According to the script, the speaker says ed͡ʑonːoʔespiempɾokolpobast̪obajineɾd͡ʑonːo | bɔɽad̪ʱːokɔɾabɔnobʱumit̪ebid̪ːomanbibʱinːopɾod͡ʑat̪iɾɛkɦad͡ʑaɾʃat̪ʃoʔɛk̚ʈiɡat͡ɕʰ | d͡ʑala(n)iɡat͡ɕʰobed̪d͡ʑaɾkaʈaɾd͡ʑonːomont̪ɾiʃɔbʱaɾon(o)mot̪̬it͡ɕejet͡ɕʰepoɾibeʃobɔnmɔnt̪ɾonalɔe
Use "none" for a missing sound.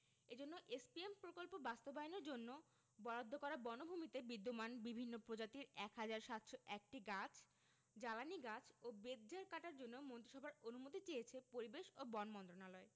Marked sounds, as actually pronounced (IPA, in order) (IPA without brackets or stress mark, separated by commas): n, u